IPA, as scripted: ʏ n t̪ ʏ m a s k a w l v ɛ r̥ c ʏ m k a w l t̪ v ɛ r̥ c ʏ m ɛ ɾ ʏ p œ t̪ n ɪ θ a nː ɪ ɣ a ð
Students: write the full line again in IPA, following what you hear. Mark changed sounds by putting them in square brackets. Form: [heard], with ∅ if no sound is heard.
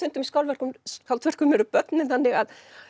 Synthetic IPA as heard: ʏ n t̪ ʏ m [i] s k a w l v ɛ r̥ [k] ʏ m k a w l t̪ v ɛ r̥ [k] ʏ m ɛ ɾ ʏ p œ t̪ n ɪ θ a nː ɪ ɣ a ð